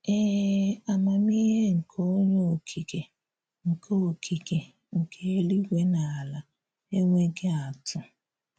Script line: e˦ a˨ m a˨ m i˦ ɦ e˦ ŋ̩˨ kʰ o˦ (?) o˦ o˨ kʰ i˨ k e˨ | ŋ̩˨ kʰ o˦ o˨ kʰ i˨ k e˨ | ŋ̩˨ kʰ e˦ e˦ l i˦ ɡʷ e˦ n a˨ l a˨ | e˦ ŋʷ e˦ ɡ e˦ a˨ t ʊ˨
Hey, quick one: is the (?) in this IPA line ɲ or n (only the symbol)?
ɲ